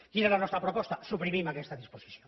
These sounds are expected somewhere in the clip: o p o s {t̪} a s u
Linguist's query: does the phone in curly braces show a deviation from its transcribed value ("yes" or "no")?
no